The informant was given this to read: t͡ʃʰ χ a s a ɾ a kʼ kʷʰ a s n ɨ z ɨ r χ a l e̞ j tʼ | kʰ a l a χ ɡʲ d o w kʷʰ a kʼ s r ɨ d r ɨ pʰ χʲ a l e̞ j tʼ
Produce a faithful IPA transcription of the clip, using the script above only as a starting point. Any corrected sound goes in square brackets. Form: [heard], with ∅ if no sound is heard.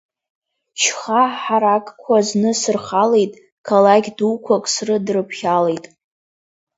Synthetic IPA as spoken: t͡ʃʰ χ a [ħ] a ɾ a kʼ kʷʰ a [z] n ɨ [s] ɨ r χ a l e̞ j tʼ | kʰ a l a [∅] ɡʲ d [u] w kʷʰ a kʼ s r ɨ d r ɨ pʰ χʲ a l e̞ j tʼ